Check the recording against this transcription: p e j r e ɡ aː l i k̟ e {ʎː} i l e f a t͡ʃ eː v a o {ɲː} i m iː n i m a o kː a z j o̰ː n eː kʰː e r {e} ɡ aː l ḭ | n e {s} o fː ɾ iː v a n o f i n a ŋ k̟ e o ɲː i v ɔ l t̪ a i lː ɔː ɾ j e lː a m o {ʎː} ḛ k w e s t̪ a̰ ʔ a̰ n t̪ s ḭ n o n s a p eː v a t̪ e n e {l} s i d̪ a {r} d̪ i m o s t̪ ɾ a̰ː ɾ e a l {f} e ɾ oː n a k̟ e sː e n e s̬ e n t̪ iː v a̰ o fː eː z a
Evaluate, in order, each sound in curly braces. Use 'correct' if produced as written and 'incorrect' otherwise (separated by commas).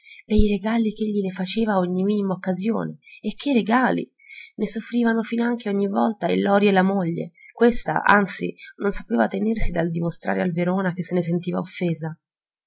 correct, correct, correct, correct, correct, incorrect, incorrect, incorrect